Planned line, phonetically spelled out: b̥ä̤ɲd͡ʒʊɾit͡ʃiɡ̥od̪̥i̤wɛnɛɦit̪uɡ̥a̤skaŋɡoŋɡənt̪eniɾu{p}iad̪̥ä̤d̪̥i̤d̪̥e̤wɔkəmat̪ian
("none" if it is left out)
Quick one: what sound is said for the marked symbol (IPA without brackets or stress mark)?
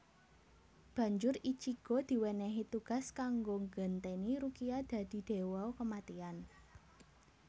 k